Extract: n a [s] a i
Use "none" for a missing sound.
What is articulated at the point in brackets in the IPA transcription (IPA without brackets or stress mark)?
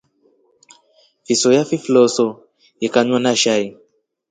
ʃ